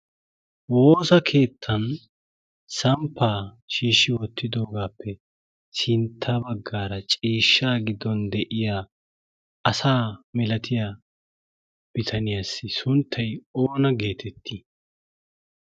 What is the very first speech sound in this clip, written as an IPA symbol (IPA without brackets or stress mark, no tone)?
w